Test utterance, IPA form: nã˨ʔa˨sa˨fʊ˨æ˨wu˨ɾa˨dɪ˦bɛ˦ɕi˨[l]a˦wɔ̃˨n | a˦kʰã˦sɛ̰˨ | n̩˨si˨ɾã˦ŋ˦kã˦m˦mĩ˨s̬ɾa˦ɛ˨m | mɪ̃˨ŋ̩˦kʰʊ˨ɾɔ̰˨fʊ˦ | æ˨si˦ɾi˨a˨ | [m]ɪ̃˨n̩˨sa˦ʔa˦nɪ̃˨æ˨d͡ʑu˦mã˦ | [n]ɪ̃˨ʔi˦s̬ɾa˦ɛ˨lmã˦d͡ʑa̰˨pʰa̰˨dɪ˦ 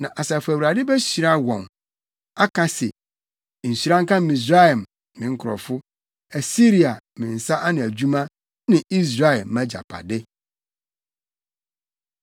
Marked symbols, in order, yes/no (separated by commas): no, yes, yes